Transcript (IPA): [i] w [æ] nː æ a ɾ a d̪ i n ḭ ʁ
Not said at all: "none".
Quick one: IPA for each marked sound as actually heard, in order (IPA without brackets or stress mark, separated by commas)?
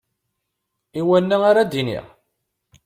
i, æ